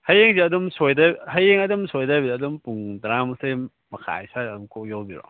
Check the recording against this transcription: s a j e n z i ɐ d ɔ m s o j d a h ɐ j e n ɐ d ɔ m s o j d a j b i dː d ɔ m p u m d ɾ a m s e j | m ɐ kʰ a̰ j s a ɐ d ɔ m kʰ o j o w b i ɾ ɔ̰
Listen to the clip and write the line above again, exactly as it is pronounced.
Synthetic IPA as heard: h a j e ŋ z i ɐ d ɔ m s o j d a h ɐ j e ŋ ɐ d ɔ m s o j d a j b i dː d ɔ m p u ŋ d ɾ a m s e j | m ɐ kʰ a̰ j s a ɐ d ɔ m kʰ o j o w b i ɾ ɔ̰